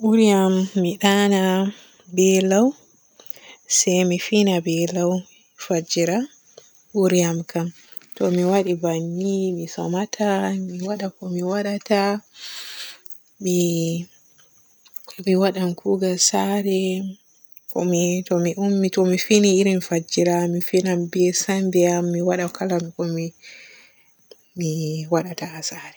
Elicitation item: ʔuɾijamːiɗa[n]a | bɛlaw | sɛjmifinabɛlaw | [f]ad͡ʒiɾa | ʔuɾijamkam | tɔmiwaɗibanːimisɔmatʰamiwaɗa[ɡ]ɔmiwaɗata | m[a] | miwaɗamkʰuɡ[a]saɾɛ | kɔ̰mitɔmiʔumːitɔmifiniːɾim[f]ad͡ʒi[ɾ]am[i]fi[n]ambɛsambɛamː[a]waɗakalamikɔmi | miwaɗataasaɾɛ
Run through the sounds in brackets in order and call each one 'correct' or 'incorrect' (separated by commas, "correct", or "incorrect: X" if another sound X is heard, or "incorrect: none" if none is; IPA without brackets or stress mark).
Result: correct, correct, incorrect: k, incorrect: i, correct, correct, correct, correct, correct, incorrect: i